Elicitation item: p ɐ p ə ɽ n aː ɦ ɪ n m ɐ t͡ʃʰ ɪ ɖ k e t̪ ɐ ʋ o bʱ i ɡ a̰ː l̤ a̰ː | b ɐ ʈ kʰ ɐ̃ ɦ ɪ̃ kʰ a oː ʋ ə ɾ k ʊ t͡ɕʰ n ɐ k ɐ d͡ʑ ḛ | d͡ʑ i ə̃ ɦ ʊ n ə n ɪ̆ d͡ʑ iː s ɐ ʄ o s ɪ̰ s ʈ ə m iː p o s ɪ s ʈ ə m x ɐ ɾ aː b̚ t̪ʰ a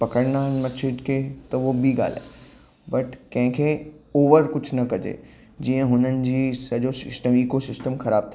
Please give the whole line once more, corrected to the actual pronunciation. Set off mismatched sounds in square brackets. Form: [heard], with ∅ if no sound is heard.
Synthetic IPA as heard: p ɐ [k] ə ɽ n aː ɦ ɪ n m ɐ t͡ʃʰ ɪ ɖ k e t̪ ɐ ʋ o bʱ i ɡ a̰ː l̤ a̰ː | b ɐ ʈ [k] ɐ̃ ɦ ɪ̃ kʰ [e] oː ʋ ə ɾ k ʊ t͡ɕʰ n ɐ k ɐ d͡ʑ ḛ | d͡ʑ i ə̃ ɦ ʊ n ə n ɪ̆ d͡ʑ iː s ɐ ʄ o s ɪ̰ s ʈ ə m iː [k] o s ɪ s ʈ ə m x ɐ ɾ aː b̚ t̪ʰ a